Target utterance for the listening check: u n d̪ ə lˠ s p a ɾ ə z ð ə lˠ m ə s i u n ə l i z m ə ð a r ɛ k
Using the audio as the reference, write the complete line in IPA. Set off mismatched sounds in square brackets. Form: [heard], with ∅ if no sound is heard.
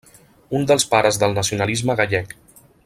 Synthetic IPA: u n d̪ ə lˠ s p a ɾ ə z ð ə lˠ [n] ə s i u n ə l i z m ə [ɣ] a [ʎ] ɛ k